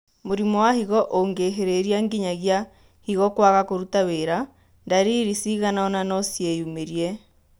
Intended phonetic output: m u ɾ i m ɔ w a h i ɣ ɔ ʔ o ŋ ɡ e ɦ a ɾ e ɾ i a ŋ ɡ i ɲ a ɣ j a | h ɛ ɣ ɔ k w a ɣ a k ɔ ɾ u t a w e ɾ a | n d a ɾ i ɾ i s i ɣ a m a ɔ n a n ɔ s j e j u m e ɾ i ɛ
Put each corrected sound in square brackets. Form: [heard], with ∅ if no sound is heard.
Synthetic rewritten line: m [o] ɾ i m ɔ w a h i ɣ ɔ ʔ o ŋ ɡ e ɦ [e] ɾ e ɾ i a ŋ ɡ i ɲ a ɣ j a | h [i] ɣ ɔ k w a ɣ a k [o] ɾ u t a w e ɾ a | n d a ɾ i ɾ i s i ɣ a [n] a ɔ n a n ɔ s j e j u m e ɾ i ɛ